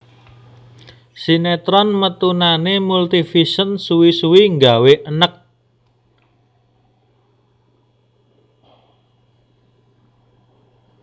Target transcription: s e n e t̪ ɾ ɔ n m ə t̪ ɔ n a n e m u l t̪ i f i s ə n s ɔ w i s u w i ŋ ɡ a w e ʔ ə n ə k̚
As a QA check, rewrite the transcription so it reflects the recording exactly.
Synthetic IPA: s i n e t̪ ɾ ɔ n m ə t̪ u n a n e m u l t̪ i f i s ə n s u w i s u w i ŋ ɡ a w e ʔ ə n ə k̚